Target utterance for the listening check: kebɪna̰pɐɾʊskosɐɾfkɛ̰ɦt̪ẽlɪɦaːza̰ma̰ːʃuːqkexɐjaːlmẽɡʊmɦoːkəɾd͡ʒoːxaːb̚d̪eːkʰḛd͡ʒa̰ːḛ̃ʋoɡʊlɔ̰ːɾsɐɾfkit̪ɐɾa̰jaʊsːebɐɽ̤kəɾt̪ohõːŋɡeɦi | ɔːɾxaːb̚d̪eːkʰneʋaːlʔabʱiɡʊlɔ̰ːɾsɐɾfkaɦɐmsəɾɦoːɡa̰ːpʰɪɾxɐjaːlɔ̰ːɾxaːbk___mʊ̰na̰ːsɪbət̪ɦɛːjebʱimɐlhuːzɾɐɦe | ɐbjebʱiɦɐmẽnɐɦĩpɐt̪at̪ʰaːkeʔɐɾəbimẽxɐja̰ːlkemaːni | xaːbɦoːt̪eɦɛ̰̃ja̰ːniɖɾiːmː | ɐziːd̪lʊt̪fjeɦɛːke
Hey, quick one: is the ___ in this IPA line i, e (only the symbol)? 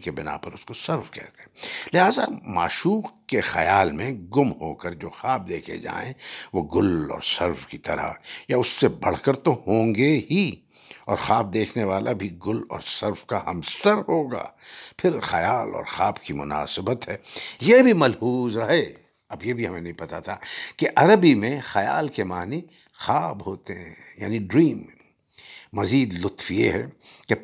i